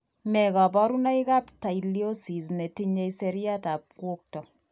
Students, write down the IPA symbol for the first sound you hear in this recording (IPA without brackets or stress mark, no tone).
m